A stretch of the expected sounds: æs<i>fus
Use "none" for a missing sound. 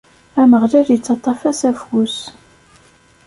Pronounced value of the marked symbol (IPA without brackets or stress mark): æ